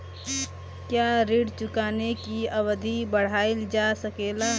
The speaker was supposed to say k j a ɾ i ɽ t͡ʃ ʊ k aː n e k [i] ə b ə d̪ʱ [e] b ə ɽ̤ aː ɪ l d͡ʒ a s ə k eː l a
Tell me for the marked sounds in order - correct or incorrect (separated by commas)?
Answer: correct, incorrect